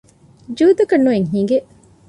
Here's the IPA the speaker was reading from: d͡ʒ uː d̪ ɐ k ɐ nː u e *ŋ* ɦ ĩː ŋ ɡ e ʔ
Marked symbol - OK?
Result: yes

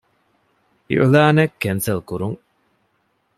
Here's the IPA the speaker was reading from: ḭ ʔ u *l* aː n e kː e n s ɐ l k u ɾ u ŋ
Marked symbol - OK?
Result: yes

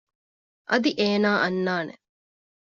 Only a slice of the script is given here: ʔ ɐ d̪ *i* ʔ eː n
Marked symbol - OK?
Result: yes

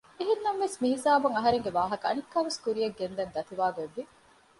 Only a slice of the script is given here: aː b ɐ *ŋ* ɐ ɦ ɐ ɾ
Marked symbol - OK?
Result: yes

